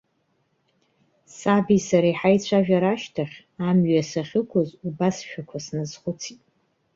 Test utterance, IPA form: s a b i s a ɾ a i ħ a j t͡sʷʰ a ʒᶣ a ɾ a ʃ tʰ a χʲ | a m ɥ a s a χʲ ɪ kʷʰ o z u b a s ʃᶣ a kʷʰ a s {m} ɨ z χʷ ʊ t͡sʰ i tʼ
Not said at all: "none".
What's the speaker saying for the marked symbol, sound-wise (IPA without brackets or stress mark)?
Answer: n